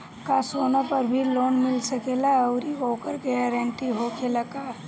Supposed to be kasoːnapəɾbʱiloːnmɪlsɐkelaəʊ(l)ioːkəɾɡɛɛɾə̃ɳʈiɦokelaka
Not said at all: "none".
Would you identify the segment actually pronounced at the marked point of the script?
ɾ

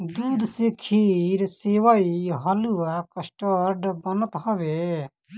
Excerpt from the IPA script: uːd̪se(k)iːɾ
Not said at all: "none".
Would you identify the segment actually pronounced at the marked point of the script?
kʰ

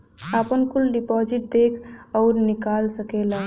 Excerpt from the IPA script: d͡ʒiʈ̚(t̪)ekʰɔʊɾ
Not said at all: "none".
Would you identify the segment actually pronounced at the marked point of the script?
d̪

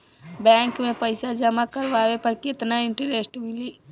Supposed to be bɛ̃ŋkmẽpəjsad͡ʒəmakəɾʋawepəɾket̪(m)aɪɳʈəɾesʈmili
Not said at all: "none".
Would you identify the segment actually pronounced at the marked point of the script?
n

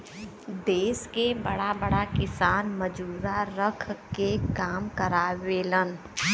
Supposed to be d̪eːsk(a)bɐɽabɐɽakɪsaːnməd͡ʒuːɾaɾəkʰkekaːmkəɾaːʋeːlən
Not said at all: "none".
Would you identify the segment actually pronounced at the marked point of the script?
e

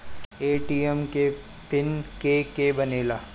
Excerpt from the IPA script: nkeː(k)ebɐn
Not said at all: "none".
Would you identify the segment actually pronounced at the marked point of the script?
k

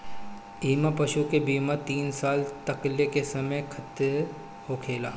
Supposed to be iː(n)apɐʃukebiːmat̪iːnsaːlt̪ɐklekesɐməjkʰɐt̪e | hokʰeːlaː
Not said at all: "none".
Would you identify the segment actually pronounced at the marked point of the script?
m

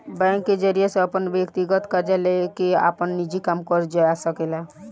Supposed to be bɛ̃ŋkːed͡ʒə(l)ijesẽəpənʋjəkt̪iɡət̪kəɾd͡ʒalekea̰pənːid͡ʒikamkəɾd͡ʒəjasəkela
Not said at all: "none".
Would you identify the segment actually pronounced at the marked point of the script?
ɾ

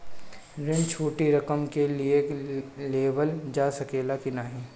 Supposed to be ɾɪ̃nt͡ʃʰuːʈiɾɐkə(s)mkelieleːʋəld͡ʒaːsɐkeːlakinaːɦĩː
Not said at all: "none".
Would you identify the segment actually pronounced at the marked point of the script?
none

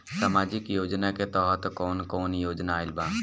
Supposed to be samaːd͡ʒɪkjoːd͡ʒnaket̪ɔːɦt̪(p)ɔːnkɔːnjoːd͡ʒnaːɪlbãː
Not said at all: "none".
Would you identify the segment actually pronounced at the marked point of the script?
k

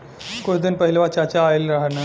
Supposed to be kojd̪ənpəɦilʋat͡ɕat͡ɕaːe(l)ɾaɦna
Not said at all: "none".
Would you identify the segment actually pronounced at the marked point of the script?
l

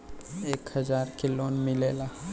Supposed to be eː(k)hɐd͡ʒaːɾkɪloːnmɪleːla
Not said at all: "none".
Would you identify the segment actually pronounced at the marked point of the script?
k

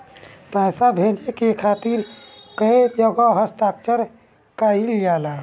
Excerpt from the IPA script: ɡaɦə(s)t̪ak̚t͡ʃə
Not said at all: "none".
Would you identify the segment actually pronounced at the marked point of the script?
s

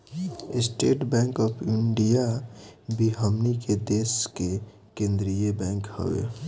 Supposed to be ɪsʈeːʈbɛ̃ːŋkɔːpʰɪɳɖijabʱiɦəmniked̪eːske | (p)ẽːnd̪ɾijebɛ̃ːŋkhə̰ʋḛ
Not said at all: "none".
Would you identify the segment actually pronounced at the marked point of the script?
k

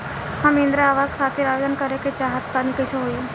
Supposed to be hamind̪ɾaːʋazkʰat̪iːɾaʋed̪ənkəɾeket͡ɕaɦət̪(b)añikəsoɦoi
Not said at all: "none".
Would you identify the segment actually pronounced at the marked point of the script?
p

